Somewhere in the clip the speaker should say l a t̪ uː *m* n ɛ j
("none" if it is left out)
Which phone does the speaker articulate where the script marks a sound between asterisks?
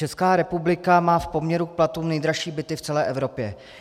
m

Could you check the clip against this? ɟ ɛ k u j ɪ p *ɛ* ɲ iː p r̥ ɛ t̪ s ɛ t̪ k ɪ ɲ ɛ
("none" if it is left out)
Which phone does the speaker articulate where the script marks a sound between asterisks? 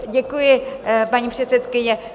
a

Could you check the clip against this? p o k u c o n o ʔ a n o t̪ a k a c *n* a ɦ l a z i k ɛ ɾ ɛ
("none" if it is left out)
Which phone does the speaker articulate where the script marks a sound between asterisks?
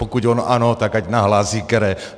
n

